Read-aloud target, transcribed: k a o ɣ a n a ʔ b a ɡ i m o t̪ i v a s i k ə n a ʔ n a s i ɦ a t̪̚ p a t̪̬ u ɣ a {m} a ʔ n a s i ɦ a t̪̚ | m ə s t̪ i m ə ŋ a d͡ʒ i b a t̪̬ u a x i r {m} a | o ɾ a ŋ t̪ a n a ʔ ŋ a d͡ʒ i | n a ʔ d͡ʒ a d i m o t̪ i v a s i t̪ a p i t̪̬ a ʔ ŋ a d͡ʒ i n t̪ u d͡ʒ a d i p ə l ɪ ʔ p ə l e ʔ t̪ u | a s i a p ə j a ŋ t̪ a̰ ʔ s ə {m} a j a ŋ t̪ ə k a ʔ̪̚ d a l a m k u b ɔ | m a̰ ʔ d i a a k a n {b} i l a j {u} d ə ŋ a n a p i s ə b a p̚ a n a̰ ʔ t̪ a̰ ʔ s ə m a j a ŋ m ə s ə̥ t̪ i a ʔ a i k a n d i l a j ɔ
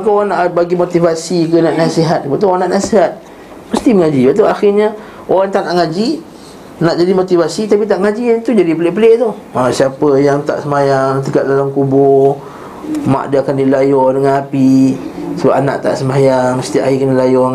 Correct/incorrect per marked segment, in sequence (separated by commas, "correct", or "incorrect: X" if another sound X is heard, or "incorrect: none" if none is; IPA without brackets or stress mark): incorrect: n, incorrect: ɲ, correct, incorrect: d, incorrect: ɔ